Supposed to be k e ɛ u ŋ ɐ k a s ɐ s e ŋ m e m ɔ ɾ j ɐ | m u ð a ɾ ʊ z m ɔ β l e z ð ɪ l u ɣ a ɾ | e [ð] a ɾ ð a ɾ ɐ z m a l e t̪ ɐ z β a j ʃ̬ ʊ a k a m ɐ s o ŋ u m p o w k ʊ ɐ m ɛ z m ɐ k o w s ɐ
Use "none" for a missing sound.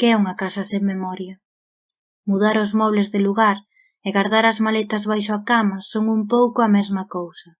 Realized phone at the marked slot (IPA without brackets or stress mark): ɣ